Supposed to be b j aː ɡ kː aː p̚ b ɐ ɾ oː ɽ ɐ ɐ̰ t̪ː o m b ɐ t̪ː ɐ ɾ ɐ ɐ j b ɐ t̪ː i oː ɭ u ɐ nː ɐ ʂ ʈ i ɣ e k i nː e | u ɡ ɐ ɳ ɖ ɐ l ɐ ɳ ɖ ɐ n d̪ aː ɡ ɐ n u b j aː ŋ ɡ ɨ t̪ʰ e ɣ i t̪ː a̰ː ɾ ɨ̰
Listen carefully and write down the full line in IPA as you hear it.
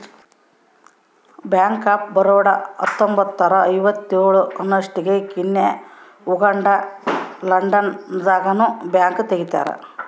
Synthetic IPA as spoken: b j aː ŋ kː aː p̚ b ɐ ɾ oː ɽ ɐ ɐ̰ t̪ː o m b ɐ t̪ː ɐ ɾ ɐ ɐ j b ɐ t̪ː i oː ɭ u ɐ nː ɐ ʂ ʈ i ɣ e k i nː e | u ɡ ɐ ɳ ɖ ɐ l ɐ ɳ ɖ ɐ n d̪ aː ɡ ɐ n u b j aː ŋ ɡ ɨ t̪ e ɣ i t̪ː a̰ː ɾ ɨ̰